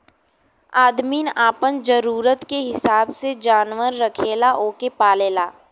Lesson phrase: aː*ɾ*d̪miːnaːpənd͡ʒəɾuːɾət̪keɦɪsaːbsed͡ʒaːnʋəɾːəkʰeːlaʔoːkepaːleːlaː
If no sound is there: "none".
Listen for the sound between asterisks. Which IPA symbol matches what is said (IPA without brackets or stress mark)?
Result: none